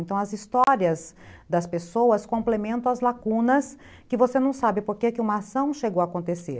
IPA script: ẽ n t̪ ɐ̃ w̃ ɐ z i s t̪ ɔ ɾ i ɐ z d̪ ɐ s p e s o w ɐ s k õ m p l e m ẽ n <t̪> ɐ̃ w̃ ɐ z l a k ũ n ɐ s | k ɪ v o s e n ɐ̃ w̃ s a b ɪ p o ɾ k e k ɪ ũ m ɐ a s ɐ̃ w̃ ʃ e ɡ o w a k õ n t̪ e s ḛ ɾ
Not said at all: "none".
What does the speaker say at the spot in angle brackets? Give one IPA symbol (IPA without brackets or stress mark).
t̪